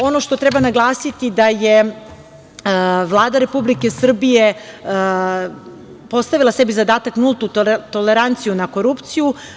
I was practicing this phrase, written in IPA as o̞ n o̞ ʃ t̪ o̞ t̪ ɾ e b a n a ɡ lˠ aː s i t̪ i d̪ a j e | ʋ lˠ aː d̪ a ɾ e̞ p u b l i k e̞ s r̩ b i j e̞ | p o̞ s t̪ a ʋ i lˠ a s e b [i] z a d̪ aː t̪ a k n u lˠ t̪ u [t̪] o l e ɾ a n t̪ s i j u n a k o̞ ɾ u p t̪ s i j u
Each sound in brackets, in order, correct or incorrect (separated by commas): correct, correct